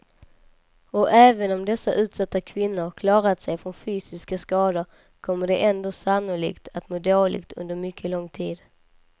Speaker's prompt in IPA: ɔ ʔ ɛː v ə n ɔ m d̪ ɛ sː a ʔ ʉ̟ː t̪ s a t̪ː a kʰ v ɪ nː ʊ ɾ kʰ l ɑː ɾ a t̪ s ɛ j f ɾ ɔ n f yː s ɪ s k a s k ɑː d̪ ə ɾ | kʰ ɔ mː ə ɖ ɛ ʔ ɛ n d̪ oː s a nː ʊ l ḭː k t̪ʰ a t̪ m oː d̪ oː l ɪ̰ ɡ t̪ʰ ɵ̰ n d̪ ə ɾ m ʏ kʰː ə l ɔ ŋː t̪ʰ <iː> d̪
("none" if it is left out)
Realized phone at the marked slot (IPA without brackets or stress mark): iː